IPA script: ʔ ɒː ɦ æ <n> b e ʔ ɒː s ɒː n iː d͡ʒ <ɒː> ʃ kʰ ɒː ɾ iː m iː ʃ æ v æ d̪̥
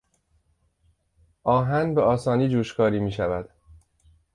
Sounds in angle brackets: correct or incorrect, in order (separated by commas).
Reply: correct, incorrect